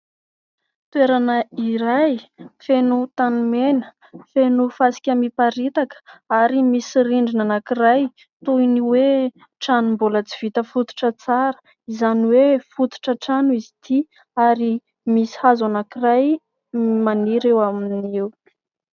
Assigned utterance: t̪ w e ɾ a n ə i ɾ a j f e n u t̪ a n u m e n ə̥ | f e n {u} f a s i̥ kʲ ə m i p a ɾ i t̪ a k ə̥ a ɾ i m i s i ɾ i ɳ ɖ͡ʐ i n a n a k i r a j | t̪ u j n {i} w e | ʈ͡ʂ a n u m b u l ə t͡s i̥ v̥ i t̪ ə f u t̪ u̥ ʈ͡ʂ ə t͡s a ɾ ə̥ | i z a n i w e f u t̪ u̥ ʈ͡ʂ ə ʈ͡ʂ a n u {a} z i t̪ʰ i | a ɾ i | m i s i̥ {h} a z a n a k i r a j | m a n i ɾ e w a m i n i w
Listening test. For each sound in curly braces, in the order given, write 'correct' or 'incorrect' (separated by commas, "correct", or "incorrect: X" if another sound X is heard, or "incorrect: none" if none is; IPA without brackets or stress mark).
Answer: correct, correct, incorrect: i, correct